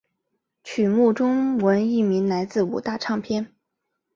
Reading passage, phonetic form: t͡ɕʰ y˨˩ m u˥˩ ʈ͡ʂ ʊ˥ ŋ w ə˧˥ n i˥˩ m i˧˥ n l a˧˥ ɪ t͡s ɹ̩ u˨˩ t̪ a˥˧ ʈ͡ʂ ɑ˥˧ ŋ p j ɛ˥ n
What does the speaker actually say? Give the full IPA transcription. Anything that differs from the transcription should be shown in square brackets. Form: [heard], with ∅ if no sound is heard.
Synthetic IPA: t͡ɕʰ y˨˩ m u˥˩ ʈ͡ʂ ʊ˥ ŋ w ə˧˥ n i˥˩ m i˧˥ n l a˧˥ ɪ t͡s ɹ̩ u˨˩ t̪ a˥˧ [ʈ͡ʂʰ] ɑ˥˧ ŋ [pʰ] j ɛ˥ n